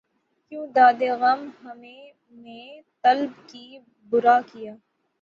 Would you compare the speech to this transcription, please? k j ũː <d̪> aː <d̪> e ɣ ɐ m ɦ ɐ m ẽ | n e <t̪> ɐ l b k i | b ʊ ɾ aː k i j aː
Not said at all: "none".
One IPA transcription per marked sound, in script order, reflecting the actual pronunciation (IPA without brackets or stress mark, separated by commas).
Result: d̪, d̪, t̪